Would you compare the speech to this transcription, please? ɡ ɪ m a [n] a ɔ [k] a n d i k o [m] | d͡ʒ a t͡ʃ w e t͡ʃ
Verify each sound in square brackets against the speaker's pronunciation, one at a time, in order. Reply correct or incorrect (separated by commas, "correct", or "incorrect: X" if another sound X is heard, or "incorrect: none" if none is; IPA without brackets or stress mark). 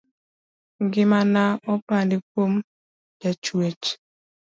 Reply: correct, incorrect: p, correct